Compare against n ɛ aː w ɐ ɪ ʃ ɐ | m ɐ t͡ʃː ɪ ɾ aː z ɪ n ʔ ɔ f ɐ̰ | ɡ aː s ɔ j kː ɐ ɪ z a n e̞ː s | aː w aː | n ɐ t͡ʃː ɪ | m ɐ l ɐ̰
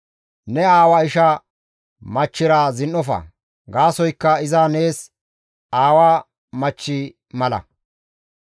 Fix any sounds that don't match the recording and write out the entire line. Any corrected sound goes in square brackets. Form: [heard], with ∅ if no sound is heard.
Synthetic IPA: n ɛ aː w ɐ ɪ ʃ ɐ | m ɐ t͡ʃː ɪ ɾ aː z ɪ n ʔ ɔ f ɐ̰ | ɡ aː s ɔ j kː ɐ ɪ z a n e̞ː s | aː w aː | [m] ɐ t͡ʃː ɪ | m ɐ l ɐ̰